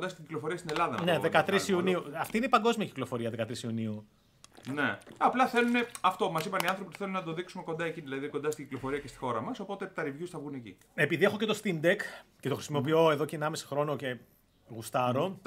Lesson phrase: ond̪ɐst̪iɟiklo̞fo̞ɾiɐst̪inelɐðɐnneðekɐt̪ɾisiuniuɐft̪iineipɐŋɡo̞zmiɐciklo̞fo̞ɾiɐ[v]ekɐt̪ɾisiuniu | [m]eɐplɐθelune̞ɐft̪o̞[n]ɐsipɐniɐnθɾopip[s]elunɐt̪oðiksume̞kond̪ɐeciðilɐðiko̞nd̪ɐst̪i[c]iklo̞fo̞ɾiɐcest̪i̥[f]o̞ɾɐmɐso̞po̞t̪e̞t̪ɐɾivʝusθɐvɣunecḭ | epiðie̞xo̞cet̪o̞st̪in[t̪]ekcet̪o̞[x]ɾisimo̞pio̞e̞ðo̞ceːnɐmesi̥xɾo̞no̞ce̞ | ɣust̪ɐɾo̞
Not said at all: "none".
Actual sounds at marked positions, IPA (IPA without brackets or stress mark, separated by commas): ð, n, m, θ, ɟ, x, d̪, x